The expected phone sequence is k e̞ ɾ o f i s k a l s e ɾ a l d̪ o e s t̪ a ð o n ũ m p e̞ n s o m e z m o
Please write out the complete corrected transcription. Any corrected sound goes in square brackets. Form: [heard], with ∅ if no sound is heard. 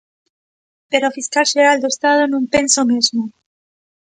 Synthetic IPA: [p] e̞ ɾ o f i s k a l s e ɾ a l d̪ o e s t̪ a ð o n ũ m p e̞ n s o m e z m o

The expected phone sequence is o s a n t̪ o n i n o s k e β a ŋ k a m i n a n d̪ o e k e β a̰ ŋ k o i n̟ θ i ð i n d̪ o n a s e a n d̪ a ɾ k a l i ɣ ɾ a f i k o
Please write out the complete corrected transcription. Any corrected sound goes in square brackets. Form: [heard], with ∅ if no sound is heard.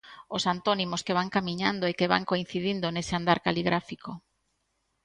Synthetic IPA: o s a n t̪ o n i [m] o s k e β a ŋ k a m i [ɲ] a n d̪ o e k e β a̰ ŋ k o i n̟ θ i ð i n d̪ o n [e] s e a n d̪ a ɾ k a l i ɣ ɾ a f i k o

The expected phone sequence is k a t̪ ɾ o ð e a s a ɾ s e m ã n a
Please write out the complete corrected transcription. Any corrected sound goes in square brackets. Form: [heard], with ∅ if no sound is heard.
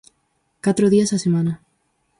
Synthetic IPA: k a t̪ ɾ o ð [i] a s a [∅] s e m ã n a

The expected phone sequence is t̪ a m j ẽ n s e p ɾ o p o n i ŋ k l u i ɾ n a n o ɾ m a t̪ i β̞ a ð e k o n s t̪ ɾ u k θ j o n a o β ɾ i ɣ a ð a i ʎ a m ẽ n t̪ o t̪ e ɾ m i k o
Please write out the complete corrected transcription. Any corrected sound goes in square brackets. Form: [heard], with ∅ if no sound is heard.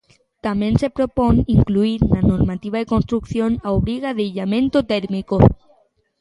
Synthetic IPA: t̪ a m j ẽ n s e p ɾ o p o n i ŋ k l u i ɾ n a n o ɾ m a t̪ i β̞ a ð e k o n s t̪ ɾ u k θ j o n a o β ɾ i ɣ a ð [e] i ʎ a m ẽ n t̪ o t̪ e ɾ m i k o

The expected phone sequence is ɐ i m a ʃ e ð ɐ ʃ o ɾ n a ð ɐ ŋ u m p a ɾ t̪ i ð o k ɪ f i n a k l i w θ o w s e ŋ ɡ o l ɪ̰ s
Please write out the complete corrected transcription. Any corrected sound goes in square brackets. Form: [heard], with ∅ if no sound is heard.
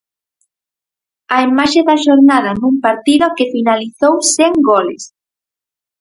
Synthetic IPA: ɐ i m a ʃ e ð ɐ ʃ o ɾ n a ð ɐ [n] u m p a ɾ t̪ i ð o k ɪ f i n a [∅] l i [∅] θ o w s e ŋ ɡ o l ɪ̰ s

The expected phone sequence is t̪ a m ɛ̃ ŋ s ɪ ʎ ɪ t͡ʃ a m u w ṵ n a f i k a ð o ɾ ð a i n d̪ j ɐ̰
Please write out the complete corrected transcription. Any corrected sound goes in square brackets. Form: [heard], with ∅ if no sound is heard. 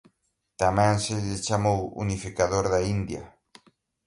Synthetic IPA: t̪ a m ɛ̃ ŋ s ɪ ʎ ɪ t͡ʃ a m [o] w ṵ n [i] f i k a ð o ɾ ð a i n d̪ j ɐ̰

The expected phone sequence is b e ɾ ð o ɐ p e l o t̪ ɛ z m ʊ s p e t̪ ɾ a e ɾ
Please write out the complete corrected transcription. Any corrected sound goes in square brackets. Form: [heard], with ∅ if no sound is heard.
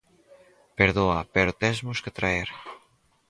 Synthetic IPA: [p] e ɾ ð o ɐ p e [ɾ] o t̪ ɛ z m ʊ s [k] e t̪ ɾ a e ɾ

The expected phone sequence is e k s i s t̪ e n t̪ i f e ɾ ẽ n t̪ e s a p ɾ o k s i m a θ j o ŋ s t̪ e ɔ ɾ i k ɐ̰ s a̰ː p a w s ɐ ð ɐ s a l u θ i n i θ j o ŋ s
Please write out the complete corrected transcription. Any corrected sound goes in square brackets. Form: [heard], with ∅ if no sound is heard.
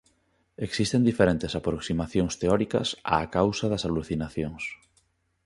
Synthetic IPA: e k s i s t̪ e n [d̪] i f e ɾ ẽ n t̪ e s a p ɾ o k s i m a θ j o ŋ s t̪ e ɔ ɾ i k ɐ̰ s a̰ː [k] a w s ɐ ð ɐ s a l u θ i n [a] θ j o ŋ s

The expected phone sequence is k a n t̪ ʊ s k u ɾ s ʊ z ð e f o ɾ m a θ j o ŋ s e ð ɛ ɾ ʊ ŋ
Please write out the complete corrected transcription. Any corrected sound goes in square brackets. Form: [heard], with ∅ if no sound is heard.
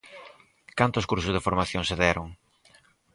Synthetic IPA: k a n t̪ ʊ s k u ɾ s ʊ z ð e f o ɾ m a θ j o ŋ s e ð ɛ ɾ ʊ ŋ

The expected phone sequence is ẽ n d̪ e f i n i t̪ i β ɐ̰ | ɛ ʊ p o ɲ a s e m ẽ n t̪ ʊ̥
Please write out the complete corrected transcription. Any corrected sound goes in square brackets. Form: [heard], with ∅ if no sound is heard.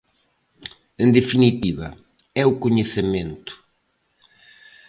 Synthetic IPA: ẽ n d̪ e f i n i t̪ i β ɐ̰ | ɛ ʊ [k] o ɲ [e] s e m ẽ n t̪ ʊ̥

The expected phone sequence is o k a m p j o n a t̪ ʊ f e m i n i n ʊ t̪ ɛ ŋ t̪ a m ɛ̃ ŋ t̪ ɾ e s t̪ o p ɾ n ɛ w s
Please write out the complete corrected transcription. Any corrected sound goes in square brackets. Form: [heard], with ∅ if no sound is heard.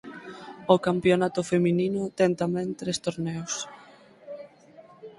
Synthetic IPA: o k a m p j o n a t̪ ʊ f e m i n i n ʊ t̪ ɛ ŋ t̪ a m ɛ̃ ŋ t̪ ɾ e s t̪ o [∅] ɾ n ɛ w s

